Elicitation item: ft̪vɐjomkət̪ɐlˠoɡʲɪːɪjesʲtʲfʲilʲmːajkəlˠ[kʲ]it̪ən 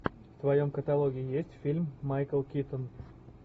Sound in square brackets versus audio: correct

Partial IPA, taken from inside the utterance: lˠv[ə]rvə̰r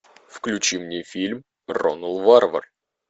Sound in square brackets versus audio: incorrect: a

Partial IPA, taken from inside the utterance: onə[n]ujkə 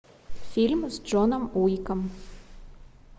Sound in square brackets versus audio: incorrect: m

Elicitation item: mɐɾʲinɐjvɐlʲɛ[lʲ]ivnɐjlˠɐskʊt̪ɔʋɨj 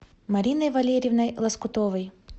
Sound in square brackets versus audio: incorrect: ɾʲ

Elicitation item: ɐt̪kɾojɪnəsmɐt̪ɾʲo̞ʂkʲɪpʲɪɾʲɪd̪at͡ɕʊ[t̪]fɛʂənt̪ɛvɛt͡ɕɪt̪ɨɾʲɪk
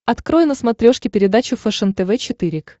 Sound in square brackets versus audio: incorrect: none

